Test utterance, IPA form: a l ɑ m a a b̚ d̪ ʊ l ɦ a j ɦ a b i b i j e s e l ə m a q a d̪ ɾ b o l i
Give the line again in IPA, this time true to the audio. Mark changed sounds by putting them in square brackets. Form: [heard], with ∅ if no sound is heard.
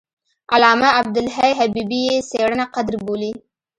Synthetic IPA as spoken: a l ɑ m a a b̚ d̪ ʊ l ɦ a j ɦ a b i b i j e s e [ɽ] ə [n] a q a d̪ ɾ b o l i